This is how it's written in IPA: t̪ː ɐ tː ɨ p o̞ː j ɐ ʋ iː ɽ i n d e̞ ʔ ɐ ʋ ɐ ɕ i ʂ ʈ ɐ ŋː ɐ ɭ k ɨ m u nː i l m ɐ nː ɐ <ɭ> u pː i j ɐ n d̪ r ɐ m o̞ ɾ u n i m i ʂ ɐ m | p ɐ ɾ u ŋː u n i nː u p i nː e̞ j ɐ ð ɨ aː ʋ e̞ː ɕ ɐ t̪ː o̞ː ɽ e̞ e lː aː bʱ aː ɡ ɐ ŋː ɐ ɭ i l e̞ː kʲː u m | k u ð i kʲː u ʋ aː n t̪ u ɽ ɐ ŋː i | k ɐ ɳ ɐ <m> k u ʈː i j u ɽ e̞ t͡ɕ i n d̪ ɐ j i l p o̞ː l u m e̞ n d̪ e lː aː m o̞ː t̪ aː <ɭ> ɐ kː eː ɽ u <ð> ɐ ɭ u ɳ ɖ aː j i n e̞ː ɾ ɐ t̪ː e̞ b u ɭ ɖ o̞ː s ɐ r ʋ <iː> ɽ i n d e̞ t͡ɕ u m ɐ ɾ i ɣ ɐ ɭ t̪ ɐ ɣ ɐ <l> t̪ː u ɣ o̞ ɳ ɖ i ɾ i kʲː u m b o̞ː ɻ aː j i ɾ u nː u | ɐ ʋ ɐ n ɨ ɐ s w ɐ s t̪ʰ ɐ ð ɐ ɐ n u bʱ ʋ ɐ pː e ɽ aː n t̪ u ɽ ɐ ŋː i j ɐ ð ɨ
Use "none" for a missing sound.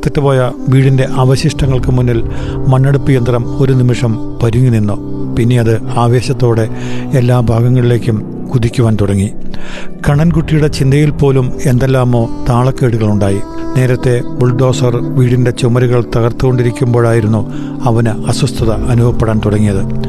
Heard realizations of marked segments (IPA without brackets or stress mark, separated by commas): ɽ, n, ɭ, ɣ, iː, r